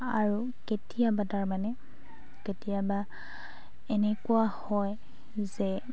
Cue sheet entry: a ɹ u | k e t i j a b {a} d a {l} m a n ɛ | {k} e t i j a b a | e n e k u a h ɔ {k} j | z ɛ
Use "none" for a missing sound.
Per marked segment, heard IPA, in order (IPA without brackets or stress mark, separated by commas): a, ɹ, k, none